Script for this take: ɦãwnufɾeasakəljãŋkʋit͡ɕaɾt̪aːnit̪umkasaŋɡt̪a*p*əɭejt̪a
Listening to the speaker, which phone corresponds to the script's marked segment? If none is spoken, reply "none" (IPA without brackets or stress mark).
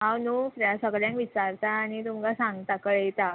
k